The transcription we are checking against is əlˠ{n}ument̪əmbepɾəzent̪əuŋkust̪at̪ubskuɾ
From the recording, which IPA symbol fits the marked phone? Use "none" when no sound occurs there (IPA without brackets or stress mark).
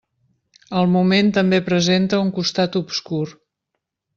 m